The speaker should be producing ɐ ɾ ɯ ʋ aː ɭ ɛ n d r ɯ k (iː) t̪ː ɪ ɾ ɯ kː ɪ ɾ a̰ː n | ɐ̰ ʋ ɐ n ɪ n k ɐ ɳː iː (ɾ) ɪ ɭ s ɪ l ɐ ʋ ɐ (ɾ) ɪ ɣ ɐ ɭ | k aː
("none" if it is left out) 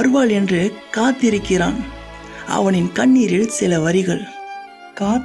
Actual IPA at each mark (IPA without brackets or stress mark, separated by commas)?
aː, ɾ, ɾ